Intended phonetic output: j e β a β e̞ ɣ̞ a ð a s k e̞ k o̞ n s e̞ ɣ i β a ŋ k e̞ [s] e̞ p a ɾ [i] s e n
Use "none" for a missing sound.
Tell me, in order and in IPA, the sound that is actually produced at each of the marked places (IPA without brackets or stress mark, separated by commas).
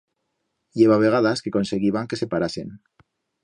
s, a